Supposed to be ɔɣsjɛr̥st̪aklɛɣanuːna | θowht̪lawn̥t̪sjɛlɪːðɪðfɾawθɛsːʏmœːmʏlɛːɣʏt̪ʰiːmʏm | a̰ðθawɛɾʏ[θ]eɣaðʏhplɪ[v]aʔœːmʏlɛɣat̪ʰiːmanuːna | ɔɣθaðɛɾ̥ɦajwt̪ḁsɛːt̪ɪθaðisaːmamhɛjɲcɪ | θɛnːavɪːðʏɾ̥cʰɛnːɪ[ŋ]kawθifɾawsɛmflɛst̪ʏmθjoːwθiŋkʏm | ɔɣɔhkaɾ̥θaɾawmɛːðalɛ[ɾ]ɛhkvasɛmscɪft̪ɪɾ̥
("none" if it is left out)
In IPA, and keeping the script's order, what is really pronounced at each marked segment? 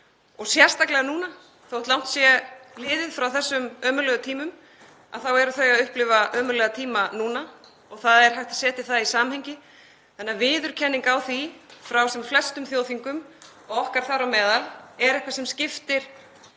θ, v, ŋ, ɾ

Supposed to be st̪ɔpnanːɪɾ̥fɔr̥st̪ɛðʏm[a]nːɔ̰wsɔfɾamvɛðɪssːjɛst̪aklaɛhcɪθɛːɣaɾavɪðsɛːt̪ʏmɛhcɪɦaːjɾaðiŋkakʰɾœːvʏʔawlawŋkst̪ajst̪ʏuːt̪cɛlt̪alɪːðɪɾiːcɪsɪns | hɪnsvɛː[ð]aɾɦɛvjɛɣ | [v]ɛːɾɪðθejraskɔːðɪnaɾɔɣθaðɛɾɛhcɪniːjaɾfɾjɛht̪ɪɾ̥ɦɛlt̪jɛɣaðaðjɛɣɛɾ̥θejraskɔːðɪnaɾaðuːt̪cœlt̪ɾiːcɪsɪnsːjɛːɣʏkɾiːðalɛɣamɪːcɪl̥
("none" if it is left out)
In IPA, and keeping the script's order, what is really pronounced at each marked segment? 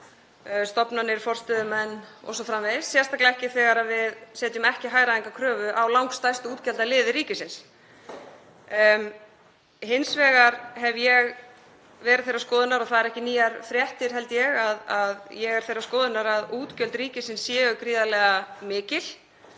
ɛ, ɣ, v

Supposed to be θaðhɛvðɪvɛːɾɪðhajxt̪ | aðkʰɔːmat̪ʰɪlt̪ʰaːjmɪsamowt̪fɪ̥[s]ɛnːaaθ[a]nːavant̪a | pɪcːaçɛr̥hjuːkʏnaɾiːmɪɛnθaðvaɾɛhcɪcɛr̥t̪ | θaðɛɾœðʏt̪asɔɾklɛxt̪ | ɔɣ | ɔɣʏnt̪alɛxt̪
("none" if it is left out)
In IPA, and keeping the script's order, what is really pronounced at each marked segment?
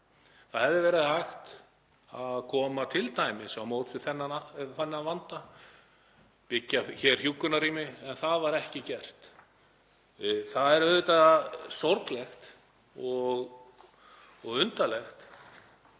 θ, ɛ

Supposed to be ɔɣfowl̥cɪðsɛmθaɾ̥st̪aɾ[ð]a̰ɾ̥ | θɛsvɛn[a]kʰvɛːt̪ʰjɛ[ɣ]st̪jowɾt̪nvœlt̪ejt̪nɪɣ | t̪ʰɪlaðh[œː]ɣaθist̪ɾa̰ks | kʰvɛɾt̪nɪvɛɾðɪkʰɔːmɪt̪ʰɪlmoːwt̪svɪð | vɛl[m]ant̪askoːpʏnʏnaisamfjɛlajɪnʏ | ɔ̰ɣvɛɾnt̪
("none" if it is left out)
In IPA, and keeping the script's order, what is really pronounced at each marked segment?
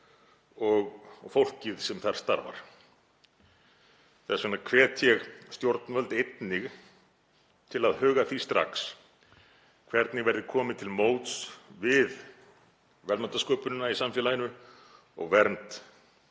v, a, ɣ, œː, m

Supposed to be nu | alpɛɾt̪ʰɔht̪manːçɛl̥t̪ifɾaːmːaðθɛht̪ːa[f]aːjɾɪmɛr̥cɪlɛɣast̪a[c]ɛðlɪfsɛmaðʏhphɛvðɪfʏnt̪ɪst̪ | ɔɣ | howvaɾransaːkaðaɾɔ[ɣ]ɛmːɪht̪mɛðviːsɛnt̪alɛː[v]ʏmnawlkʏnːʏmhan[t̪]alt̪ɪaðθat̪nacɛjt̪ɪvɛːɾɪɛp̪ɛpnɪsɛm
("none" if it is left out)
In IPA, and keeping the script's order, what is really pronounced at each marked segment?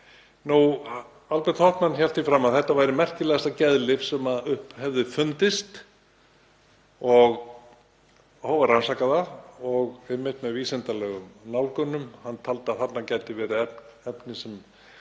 v, c, ɣ, ɣ, t̪ʰ

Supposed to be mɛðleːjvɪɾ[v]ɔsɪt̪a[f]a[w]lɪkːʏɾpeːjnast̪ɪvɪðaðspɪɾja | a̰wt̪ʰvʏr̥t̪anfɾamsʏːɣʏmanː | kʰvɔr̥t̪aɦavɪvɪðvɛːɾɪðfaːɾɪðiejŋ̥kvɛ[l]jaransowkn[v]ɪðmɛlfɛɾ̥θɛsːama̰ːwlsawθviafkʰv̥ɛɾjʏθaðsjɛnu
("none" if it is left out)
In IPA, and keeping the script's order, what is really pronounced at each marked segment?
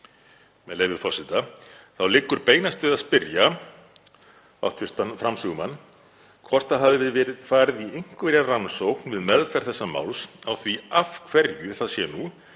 f, θ, w, ɾ, v

